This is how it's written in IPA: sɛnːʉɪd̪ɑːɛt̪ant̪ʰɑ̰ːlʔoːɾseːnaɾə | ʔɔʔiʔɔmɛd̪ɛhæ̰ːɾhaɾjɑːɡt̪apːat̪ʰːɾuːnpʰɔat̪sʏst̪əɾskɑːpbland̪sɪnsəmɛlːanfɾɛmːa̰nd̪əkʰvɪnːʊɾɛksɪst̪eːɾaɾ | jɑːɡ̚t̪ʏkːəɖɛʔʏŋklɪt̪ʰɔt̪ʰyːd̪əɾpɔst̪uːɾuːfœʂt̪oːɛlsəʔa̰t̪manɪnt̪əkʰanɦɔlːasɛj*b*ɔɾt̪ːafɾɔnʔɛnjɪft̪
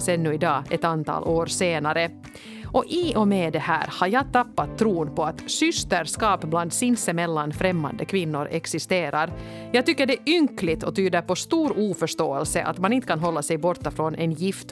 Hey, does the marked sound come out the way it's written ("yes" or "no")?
yes